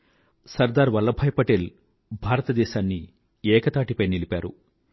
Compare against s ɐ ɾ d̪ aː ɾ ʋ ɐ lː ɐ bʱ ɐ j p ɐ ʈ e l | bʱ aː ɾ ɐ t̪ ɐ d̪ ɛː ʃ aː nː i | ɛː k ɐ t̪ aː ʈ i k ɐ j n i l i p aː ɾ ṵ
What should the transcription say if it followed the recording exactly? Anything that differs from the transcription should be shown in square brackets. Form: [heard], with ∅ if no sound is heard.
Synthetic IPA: s ɐ ɾ d̪ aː ɾ ʋ ɐ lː ɐ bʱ ɐ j p ɐ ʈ e l | bʱ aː ɾ ɐ t̪ ɐ d̪ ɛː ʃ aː nː i | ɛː k ɐ t̪ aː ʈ i [p] ɐ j n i l i p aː ɾ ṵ